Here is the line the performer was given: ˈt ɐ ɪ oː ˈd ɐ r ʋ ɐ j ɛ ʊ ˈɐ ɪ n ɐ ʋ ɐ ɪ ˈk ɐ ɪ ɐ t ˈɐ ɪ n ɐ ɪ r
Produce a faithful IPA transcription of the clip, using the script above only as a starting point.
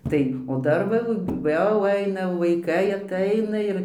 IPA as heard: ˈt ɐ ɪ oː ˈd ɐ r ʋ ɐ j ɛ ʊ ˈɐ ɪ n ɐ ʋ ɐ ɪ ˈk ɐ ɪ ɐ t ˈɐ ɪ n ɐ ɪ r